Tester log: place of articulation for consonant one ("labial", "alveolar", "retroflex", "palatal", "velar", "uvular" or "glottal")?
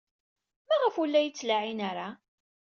labial